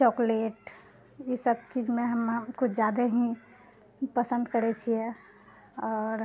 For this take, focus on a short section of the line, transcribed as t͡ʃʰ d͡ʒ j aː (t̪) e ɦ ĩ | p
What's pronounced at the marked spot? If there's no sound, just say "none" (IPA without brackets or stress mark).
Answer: d̪